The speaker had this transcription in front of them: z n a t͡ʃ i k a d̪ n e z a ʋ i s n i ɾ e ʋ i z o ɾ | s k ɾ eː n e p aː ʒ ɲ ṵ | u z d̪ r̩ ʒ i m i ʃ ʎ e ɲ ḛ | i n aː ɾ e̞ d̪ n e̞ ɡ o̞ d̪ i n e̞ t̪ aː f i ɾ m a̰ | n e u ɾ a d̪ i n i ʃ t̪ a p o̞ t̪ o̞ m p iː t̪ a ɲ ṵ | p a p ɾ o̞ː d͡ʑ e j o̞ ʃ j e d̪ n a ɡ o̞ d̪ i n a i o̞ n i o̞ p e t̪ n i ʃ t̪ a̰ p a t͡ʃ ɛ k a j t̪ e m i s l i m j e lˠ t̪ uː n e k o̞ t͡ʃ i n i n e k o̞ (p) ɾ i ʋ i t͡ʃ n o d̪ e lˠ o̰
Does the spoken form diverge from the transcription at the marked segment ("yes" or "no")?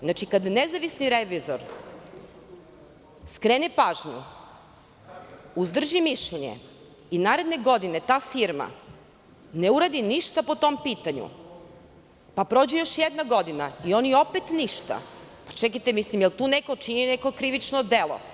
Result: yes